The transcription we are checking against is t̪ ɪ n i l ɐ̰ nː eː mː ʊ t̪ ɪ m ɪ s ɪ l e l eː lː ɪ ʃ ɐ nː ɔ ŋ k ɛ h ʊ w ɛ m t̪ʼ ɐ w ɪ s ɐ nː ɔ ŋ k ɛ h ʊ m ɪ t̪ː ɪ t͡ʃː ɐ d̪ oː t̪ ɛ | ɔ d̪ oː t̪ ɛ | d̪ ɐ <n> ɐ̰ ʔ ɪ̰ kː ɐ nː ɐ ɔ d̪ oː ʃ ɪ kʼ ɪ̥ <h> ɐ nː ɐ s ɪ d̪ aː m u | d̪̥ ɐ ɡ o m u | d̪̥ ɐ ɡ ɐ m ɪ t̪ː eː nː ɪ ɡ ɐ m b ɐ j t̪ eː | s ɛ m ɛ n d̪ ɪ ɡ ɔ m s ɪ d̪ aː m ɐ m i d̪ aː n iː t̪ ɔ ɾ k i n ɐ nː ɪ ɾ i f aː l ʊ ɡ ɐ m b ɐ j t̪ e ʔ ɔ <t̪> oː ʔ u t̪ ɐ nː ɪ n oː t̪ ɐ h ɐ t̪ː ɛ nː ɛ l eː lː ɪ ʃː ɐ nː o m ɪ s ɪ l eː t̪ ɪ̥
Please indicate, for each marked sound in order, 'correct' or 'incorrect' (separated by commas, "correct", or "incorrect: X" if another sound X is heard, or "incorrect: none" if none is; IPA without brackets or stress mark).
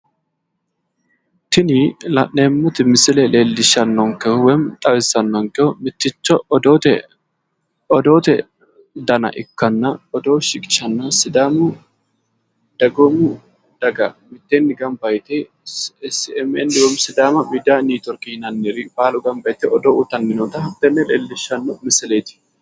correct, incorrect: ʃ, incorrect: d̪